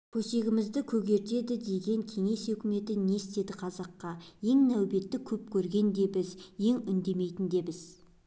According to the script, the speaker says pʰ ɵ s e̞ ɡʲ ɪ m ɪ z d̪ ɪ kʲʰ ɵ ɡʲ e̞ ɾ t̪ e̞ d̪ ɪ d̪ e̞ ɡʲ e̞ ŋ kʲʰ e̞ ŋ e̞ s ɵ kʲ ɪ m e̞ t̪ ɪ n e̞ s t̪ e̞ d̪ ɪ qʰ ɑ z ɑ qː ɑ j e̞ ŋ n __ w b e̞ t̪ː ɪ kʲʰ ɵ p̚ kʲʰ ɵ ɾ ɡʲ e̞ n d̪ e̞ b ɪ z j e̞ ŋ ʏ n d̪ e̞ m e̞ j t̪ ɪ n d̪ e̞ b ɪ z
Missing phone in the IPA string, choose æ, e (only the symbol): æ